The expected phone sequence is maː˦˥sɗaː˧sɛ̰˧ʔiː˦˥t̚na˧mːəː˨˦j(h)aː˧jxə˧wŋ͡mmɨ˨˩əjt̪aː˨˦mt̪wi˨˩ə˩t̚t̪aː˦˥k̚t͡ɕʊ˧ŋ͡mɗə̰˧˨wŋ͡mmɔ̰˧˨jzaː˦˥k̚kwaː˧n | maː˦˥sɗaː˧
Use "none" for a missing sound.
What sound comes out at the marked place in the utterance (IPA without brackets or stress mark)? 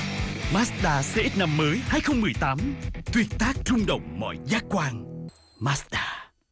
h